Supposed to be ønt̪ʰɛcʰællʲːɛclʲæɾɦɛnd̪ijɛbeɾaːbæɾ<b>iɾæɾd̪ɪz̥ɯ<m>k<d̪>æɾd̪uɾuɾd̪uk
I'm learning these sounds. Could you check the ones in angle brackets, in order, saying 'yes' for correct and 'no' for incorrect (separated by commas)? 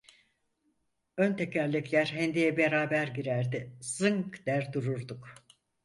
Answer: no, no, yes